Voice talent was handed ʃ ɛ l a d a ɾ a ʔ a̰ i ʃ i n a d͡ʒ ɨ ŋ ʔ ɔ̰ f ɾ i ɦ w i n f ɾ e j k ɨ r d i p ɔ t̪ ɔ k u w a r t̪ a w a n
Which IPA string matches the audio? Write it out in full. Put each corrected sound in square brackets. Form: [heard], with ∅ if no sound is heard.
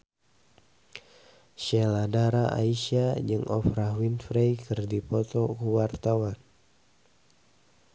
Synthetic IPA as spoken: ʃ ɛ l a d a ɾ a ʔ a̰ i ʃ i [∅] a d͡ʒ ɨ ŋ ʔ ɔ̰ f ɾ [a] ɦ w i n f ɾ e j k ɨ r d i p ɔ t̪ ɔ k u w a r t̪ a w a n